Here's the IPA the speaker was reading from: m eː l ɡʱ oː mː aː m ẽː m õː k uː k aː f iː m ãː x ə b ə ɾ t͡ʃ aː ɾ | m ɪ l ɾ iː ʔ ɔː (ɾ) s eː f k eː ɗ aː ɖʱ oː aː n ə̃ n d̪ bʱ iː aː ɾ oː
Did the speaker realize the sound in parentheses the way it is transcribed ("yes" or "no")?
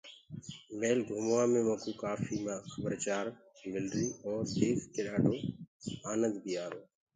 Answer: yes